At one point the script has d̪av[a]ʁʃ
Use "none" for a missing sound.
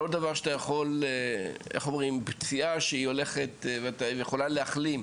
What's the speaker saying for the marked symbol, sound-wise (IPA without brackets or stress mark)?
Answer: a